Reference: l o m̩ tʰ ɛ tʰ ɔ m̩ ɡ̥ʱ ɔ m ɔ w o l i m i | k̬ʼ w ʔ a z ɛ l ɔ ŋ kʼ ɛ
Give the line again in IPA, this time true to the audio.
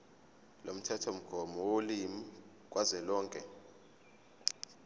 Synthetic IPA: l o m̩ tʰ ɛ tʰ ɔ m̩ ɡ̥ʱ ɔ m ɔ w o l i m i | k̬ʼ w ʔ a z ɛ l ɔː ŋ kʼ ɛ